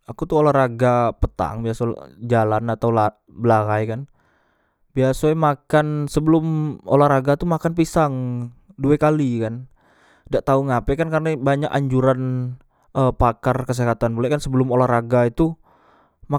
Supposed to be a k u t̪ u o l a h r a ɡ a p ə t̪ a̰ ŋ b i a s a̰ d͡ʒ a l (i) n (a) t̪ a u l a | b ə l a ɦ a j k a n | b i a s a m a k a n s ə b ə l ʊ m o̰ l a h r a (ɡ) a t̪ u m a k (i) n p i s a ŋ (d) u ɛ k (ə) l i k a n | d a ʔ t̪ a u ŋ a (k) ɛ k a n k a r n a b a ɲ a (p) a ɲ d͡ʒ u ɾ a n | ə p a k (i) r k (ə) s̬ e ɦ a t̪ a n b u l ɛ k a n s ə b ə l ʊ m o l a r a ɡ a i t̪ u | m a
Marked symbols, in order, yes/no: no, yes, yes, no, yes, no, no, no, no, yes

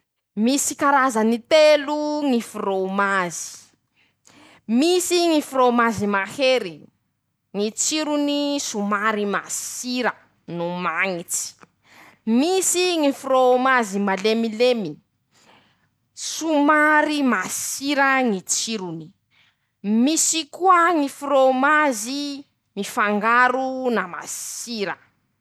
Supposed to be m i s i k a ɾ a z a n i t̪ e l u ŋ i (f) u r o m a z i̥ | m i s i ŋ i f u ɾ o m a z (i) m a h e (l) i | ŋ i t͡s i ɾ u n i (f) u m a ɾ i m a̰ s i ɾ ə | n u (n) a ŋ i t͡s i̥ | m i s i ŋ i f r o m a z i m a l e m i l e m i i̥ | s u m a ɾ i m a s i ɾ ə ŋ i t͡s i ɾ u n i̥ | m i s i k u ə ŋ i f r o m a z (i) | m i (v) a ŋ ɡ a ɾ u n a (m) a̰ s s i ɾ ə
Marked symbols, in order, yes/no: yes, yes, no, no, no, yes, no, yes

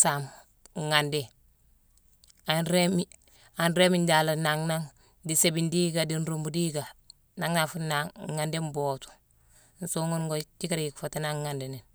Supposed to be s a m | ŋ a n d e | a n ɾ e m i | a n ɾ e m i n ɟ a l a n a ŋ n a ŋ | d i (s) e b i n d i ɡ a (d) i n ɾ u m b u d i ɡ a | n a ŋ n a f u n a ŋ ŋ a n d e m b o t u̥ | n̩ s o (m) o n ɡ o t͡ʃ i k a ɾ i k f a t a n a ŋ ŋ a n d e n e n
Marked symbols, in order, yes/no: yes, yes, no

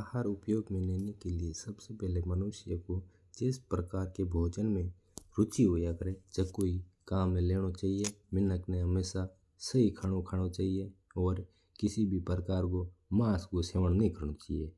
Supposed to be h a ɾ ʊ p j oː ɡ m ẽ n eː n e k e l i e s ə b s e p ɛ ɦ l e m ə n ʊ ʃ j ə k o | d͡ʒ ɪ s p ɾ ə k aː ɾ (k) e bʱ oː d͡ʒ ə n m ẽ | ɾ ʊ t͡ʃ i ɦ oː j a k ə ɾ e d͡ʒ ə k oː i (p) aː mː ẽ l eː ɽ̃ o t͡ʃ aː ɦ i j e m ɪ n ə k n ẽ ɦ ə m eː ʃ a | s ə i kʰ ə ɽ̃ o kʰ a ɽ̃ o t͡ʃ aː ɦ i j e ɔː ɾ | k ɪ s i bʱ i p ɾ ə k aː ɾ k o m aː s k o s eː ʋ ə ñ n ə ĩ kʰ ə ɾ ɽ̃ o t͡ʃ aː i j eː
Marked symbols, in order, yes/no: yes, no

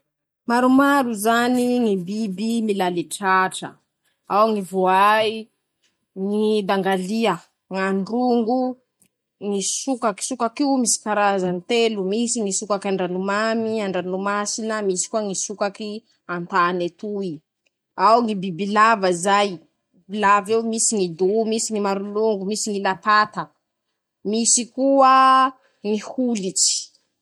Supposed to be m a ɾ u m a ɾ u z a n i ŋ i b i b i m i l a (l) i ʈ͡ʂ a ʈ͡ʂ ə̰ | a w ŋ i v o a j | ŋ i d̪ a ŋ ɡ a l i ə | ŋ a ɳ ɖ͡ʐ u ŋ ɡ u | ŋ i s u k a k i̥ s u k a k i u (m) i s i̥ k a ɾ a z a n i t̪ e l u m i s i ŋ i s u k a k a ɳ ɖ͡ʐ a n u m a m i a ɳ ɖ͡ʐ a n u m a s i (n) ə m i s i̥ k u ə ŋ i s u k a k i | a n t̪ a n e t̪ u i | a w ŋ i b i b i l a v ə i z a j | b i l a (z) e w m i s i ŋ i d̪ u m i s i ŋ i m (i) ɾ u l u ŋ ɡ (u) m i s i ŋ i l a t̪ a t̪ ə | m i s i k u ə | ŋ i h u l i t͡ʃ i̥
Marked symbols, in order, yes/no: yes, yes, yes, no, no, yes

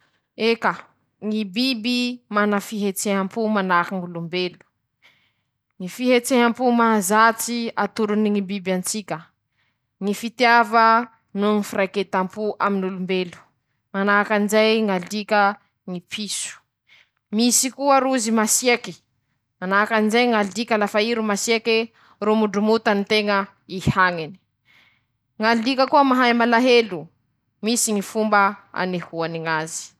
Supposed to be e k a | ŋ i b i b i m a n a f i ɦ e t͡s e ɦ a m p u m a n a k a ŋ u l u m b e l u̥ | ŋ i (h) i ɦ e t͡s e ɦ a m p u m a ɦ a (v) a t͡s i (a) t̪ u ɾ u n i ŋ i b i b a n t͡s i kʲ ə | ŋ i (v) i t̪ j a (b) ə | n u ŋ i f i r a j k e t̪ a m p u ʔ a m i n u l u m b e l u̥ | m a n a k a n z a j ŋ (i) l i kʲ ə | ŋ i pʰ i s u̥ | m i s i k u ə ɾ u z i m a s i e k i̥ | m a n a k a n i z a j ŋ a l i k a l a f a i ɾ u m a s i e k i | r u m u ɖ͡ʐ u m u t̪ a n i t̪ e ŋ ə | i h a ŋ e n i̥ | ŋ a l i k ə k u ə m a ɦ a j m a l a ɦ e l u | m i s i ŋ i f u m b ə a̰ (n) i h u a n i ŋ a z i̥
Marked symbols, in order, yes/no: no, no, yes, no, no, no, yes

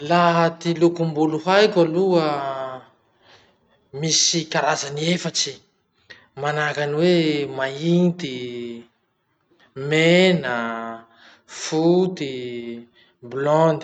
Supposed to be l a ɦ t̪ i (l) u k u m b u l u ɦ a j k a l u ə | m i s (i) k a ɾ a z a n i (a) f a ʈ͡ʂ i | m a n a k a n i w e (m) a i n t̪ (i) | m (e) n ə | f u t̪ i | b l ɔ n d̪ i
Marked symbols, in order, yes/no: yes, yes, no, yes, yes, yes

